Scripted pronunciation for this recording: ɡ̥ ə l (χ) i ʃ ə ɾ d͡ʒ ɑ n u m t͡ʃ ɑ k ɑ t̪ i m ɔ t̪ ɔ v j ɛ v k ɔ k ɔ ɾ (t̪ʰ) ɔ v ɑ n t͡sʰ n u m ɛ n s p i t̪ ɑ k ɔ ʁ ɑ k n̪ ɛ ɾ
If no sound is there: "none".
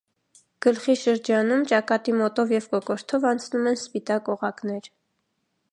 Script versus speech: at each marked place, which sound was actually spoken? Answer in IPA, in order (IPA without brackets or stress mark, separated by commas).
χ, t̪ʰ